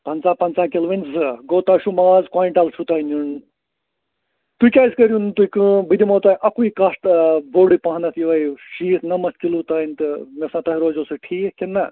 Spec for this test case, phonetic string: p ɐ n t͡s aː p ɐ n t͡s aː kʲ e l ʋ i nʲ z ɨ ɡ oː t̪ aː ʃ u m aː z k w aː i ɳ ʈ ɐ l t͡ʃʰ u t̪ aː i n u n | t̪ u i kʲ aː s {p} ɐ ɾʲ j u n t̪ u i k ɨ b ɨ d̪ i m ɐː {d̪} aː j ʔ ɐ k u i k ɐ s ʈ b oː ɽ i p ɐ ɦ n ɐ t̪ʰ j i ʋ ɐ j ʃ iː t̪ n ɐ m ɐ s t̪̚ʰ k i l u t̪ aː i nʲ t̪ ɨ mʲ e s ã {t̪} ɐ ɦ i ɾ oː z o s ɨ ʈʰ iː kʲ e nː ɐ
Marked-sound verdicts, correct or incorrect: incorrect: k, incorrect: t̪, correct

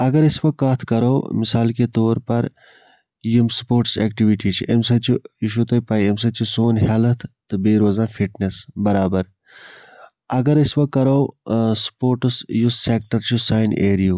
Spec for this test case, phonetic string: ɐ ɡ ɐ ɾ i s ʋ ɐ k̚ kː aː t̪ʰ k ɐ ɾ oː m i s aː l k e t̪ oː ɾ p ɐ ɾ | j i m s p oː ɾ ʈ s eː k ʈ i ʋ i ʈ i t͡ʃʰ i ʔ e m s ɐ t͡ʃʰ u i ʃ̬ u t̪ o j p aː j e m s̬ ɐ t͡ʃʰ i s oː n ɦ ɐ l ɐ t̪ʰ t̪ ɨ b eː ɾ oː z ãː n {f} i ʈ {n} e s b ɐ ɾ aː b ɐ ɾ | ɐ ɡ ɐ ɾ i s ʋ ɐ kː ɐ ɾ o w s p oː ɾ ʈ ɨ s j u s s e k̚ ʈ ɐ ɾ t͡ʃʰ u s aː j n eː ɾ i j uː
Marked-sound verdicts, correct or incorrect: correct, correct

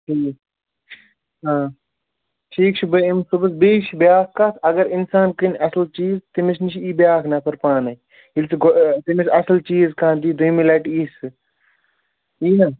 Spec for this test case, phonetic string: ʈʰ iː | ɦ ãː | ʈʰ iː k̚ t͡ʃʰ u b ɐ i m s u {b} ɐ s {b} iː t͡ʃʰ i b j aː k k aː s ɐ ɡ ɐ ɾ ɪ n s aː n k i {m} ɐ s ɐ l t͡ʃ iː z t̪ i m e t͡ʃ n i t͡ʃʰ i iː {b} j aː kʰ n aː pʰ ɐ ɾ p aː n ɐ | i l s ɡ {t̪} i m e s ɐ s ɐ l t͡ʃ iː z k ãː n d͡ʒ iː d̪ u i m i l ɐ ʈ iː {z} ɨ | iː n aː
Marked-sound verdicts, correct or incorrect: correct, correct, incorrect: n, correct, correct, incorrect: s

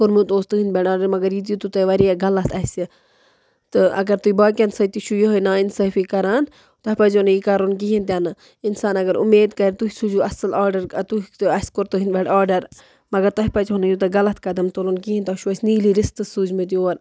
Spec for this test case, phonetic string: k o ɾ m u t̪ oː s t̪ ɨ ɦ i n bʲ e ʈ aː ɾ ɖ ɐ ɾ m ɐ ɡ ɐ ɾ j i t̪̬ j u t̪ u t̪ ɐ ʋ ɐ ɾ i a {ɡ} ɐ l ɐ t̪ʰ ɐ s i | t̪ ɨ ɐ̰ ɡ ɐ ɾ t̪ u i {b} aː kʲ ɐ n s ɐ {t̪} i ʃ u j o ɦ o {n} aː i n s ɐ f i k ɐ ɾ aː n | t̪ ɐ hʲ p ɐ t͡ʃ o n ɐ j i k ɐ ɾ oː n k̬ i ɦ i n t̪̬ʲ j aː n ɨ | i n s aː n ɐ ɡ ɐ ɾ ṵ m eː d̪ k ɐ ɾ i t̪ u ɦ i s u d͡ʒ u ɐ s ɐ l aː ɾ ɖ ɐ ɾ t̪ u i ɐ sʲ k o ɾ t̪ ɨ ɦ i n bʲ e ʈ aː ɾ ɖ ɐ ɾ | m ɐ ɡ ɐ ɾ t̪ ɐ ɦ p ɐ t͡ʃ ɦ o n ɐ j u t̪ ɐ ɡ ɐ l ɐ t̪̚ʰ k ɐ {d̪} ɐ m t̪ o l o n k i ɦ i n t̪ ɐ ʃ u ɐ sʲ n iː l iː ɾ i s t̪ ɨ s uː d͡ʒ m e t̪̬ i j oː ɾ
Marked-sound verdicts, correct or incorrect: correct, correct, correct, correct, correct

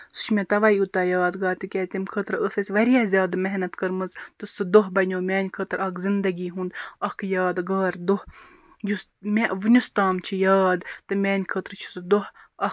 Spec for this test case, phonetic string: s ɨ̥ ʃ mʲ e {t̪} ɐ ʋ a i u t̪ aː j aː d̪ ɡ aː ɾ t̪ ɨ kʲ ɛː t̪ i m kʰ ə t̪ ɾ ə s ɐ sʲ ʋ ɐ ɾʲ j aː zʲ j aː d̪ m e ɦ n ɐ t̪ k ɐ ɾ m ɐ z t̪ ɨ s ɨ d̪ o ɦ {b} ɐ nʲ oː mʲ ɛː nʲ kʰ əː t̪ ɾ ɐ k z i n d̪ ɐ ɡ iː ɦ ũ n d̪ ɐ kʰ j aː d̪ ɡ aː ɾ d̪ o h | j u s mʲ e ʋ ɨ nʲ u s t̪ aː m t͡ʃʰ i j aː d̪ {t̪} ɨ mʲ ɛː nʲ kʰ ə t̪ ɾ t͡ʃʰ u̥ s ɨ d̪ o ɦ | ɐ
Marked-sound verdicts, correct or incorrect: correct, correct, correct

